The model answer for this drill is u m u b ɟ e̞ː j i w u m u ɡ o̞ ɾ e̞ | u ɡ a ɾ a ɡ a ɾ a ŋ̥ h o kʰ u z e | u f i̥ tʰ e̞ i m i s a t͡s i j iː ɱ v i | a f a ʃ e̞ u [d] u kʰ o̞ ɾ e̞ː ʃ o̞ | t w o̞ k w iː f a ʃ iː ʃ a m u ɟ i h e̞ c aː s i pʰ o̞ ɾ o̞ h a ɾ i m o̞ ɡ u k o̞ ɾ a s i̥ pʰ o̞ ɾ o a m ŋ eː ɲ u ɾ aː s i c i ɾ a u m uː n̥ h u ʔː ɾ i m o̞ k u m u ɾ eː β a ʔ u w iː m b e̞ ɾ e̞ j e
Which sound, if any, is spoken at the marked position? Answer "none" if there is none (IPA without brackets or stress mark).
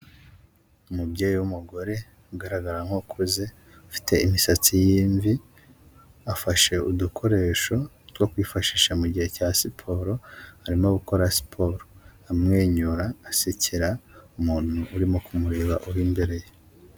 d